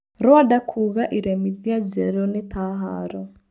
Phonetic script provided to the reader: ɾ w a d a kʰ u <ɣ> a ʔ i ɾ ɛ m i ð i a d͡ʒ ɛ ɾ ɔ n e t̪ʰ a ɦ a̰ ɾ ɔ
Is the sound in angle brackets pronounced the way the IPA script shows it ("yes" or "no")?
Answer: yes